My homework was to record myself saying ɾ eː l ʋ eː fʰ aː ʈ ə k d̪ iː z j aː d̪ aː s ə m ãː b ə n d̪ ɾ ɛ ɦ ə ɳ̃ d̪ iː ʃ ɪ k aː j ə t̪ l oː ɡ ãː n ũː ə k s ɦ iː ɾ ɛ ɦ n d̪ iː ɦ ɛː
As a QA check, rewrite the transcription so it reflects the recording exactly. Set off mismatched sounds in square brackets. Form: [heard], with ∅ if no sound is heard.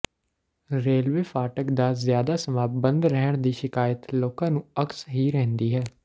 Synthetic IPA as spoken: ɾ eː l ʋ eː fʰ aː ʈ ə k d̪ [aː] z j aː d̪ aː s ə m [aː] b ə n d̪ ɾ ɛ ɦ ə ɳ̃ d̪ iː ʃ ɪ k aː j ə t̪ l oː [k] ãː n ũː ə k s ɦ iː ɾ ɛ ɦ n d̪ iː ɦ ɛː